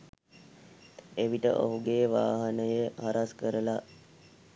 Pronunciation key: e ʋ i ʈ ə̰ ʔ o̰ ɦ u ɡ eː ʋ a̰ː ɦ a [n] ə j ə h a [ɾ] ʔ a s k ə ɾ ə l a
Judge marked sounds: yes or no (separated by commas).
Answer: yes, yes